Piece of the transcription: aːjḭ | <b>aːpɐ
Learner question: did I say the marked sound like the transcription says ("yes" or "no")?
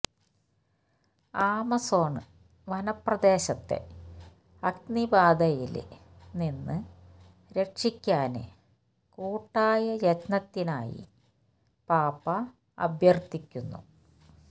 no